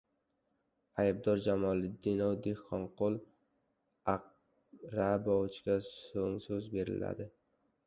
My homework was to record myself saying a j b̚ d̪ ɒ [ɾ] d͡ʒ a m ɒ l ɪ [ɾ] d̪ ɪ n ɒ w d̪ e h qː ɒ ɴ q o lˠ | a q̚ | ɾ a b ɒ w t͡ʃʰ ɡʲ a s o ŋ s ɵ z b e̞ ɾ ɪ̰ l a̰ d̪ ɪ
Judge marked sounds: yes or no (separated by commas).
yes, no